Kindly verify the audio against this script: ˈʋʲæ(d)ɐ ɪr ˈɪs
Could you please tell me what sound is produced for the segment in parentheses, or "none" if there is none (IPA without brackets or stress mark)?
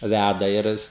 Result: d